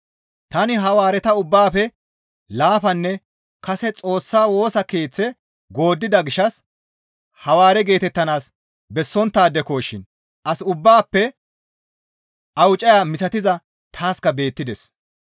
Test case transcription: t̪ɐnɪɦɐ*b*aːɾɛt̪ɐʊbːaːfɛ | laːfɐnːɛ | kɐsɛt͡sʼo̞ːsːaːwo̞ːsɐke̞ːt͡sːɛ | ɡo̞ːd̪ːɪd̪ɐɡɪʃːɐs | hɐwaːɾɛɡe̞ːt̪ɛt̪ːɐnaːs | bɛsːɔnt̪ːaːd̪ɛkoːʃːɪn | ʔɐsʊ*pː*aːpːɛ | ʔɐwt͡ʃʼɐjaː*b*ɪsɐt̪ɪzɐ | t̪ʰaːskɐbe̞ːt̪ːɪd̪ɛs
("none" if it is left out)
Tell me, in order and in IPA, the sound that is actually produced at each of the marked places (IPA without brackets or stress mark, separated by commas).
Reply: w, bː, m